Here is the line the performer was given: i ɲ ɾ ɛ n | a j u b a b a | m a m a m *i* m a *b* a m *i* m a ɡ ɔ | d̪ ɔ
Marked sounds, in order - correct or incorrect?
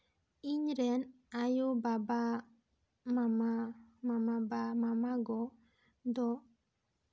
incorrect: a, correct, incorrect: a

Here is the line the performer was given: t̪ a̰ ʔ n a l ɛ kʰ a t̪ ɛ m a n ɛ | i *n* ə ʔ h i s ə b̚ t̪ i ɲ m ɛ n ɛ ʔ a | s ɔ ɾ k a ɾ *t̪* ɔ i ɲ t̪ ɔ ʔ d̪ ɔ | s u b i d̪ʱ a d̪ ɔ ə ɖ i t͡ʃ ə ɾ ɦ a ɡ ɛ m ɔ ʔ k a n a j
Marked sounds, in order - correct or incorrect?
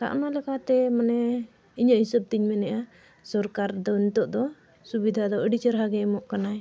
incorrect: ɲ, incorrect: d̪

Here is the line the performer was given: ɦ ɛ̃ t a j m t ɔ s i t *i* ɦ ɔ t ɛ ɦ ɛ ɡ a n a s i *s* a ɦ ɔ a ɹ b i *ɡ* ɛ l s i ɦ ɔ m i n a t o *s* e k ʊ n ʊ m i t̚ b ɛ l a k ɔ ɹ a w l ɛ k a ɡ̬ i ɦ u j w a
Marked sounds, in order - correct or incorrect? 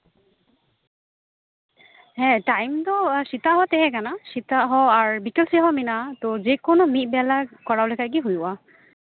incorrect: a, incorrect: t, incorrect: k, incorrect: z

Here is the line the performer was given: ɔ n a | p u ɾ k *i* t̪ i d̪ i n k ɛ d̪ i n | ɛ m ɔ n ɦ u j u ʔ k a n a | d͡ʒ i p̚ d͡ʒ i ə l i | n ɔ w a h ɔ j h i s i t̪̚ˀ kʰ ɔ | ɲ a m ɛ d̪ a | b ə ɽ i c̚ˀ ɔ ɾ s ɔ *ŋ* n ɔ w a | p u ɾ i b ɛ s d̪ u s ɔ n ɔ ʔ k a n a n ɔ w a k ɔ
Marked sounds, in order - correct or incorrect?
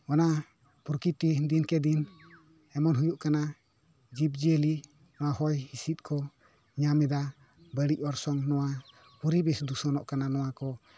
correct, correct

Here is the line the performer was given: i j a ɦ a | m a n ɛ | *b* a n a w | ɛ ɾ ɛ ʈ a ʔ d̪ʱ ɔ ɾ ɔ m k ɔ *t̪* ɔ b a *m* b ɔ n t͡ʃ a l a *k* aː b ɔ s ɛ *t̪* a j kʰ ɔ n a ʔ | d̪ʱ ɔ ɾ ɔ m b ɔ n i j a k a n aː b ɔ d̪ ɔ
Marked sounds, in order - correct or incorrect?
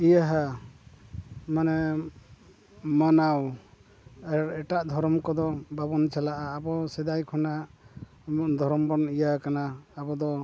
incorrect: m, incorrect: d̪, incorrect: none, incorrect: ʔ, incorrect: d̪

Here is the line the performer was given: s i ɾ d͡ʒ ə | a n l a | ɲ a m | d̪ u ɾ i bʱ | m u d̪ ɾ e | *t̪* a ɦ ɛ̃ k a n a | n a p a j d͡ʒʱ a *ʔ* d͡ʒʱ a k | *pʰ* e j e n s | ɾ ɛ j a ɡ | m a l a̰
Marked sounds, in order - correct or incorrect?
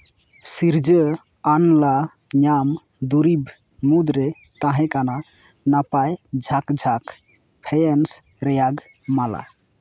correct, incorrect: k, correct

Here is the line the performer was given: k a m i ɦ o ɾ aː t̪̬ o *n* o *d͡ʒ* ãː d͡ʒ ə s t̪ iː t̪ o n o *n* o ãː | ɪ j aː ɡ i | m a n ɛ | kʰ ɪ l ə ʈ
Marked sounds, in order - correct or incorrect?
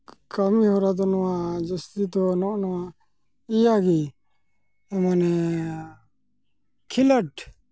correct, incorrect: none, correct

